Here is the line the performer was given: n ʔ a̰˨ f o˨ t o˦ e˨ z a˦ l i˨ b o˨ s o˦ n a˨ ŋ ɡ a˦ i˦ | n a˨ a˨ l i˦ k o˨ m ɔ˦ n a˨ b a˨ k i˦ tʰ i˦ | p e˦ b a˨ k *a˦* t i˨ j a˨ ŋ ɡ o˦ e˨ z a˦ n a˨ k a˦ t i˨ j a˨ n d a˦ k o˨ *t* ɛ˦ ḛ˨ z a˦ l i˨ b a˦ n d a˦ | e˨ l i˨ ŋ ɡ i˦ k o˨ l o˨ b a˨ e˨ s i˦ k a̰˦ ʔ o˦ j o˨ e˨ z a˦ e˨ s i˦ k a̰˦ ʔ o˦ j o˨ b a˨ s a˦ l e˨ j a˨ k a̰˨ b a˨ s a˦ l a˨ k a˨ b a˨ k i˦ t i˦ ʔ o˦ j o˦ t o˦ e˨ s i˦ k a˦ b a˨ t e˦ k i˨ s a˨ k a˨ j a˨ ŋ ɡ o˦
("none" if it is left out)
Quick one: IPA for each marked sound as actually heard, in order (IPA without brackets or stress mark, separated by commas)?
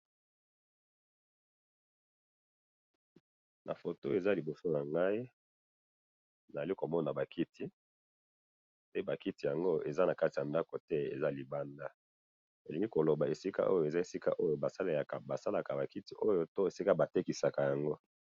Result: i˦, t